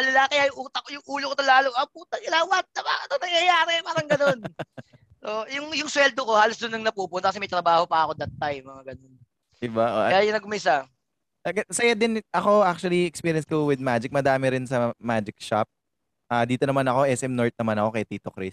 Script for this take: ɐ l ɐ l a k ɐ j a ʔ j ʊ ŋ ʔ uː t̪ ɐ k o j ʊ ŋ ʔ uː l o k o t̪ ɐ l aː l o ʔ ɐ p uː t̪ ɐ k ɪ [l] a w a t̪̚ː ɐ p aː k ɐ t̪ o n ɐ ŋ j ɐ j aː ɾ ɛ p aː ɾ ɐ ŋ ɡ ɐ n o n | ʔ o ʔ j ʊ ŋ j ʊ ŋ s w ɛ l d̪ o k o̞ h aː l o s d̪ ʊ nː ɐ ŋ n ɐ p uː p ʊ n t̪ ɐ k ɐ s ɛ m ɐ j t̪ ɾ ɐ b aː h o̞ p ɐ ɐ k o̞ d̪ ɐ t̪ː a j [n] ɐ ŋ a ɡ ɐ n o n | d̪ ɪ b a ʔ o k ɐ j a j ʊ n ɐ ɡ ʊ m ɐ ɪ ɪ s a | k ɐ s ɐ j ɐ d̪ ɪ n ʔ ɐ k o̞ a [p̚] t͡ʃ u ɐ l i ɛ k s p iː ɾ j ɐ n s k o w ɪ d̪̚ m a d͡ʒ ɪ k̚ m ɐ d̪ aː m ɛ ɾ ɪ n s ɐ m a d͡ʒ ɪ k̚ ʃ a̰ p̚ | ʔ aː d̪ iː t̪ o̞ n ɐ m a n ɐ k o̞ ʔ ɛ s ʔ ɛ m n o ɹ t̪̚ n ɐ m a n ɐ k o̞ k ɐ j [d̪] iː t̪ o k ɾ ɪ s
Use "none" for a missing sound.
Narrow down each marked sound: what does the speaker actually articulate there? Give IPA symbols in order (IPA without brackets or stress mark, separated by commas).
l, m, k̚, t̪